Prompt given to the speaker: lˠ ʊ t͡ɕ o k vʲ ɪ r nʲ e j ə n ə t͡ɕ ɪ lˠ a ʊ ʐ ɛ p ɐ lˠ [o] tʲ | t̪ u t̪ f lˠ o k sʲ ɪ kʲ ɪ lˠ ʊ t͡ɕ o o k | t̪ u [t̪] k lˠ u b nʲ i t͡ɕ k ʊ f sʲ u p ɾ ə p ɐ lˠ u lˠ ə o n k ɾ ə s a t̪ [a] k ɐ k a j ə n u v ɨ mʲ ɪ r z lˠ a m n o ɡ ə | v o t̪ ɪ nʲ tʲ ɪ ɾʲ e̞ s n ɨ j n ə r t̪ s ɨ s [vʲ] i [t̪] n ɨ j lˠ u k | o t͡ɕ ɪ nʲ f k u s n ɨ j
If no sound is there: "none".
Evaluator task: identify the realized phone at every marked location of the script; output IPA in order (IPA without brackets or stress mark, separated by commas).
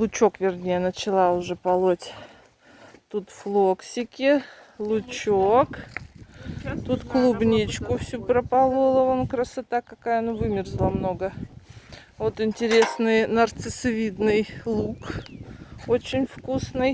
o, t̪, a, vʲ, d̪